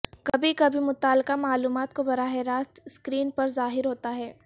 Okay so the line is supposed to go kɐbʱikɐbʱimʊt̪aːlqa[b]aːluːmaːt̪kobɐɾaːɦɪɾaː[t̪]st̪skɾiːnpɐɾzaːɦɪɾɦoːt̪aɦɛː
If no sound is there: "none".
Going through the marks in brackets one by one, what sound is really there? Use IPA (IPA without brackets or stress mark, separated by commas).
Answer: m, none